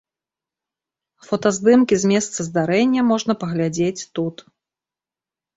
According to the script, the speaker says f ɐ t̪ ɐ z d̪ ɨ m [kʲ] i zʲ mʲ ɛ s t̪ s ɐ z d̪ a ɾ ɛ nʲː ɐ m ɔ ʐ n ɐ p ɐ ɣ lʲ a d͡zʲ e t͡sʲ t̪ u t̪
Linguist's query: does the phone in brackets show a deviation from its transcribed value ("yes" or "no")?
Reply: no